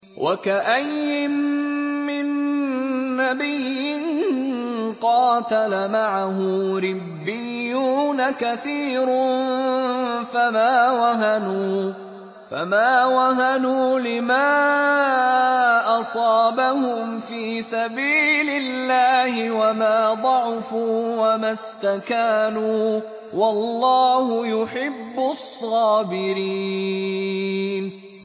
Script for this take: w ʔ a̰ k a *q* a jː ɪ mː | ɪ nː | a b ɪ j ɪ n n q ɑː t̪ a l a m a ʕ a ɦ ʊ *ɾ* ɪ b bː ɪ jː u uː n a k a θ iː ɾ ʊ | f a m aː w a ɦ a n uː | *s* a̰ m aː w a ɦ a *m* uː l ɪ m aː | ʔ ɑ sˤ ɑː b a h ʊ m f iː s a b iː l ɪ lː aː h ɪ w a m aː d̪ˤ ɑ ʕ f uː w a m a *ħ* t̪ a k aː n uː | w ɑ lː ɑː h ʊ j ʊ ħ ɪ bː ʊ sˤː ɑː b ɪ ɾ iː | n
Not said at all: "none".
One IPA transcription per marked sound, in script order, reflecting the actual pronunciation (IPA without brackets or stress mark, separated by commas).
ʔ, ɾ, f, n, s